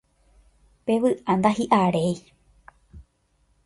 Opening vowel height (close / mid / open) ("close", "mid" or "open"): mid